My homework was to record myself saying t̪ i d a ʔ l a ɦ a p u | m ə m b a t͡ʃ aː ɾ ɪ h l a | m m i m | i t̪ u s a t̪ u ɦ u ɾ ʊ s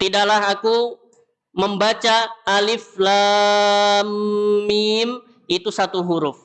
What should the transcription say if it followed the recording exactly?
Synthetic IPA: t̪ i d a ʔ l a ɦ a k u | m ə m b a t͡ʃ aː l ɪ f l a | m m i m | i t̪ u s a t̪ u ɦ u ɾ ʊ f